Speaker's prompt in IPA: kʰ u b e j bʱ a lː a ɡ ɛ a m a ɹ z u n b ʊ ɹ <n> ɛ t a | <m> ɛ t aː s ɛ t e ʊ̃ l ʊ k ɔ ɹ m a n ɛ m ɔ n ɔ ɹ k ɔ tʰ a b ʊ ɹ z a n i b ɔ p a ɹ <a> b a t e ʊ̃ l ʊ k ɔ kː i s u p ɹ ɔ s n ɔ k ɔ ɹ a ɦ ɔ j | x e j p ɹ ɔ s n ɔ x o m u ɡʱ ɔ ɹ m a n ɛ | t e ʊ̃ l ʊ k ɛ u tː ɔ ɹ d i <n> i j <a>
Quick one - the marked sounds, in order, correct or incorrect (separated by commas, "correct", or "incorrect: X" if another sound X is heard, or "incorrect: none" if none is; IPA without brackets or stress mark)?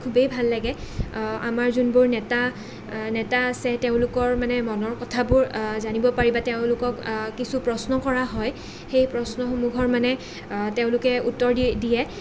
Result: correct, incorrect: n, incorrect: i, incorrect: d, incorrect: ɛ